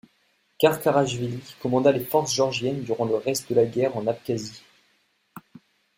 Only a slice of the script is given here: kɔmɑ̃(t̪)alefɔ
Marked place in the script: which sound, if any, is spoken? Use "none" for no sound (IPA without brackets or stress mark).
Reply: d̪